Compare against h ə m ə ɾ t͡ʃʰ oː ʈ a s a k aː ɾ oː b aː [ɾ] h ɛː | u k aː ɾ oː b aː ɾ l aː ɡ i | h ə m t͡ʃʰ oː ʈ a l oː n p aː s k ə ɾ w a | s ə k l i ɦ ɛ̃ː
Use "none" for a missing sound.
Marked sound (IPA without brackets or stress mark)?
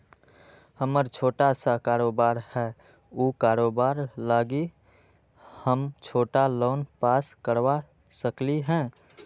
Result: ɾ